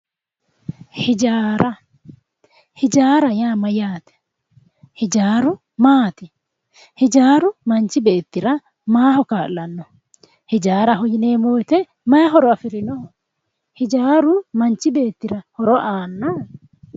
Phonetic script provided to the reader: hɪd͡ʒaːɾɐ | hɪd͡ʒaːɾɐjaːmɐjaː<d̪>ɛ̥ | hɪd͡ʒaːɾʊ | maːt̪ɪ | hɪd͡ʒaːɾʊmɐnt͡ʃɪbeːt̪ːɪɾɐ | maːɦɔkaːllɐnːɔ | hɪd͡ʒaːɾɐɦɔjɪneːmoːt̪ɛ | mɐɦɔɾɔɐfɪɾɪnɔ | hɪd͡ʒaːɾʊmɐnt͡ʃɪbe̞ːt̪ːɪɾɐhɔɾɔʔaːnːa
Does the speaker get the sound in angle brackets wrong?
yes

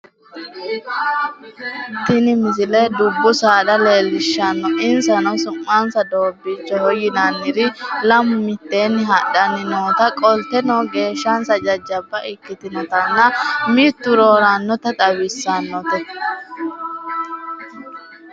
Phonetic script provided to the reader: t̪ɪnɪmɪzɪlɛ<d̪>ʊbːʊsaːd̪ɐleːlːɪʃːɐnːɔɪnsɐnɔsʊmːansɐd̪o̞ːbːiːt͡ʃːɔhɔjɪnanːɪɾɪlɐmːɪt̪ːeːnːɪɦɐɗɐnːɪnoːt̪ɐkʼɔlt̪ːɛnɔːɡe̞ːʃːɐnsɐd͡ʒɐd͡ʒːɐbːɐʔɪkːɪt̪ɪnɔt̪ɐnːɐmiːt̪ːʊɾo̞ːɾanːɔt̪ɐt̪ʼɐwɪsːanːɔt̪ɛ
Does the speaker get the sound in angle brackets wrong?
no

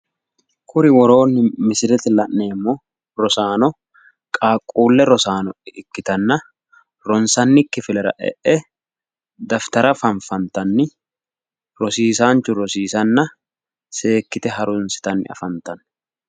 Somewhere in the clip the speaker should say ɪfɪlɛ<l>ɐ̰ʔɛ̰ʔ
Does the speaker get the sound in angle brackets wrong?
yes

